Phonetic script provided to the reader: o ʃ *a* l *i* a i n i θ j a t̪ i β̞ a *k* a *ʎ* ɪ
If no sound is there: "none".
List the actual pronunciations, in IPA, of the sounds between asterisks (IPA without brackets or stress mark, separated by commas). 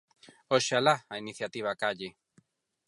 a, a, k, ʎ